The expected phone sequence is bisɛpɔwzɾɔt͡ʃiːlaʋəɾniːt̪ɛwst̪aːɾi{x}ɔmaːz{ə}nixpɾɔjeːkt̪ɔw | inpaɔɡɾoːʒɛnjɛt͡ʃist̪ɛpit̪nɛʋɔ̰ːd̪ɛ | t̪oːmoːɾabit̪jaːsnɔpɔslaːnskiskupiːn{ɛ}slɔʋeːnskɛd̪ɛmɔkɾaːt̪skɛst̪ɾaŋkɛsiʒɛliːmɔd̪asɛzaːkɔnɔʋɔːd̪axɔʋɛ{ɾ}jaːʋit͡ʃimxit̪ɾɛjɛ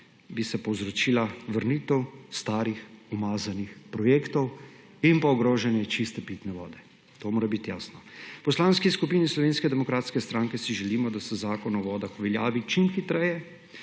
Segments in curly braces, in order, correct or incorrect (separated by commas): correct, incorrect, incorrect, incorrect